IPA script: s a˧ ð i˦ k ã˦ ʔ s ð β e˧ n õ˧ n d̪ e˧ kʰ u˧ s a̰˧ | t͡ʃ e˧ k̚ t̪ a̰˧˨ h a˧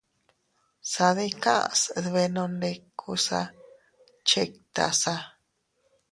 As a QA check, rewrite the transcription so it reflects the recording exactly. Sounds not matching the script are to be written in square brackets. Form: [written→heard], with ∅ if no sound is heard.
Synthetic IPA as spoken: s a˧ ð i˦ k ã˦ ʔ s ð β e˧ n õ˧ n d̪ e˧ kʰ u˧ s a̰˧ | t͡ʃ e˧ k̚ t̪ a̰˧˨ [h→s] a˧